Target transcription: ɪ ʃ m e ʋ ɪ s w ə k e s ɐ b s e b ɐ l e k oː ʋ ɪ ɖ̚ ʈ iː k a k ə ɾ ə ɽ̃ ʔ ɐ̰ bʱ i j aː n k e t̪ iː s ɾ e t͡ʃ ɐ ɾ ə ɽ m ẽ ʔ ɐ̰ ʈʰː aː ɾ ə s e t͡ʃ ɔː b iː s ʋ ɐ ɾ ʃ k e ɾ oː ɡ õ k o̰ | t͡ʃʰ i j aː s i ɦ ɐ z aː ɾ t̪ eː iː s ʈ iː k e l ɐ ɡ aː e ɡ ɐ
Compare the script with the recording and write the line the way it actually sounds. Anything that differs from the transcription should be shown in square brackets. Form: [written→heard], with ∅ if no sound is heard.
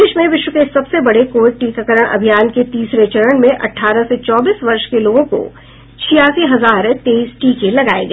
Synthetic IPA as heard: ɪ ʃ m [e→ẽ] ʋ ɪ [s→ʃ] w ə k e s ɐ b s e b ɐ [l→ɽ] e k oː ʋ ɪ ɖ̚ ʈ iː k a k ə ɾ ə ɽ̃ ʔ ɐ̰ bʱ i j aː n k e t̪ iː s ɾ e t͡ʃ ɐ ɾ ə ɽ m ẽ ʔ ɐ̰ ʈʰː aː ɾ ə s e t͡ʃ ɔː b iː s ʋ ɐ ɾ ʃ k e [ɾ→l] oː ɡ õ k o̰ | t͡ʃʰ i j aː s i ɦ ɐ z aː ɾ t̪ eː iː s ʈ iː k e l ɐ ɡ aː e ɡ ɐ